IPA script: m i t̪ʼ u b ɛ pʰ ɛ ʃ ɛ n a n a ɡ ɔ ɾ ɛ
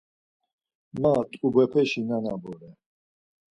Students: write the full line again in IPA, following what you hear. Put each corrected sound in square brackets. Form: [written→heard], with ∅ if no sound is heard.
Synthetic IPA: m [i→a] t̪ʼ u b ɛ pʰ ɛ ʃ [ɛ→i] n a n a [ɡ→b] ɔ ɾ ɛ